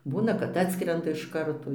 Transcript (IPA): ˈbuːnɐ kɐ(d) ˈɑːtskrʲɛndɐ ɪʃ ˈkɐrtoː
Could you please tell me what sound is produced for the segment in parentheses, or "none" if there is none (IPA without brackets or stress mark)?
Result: t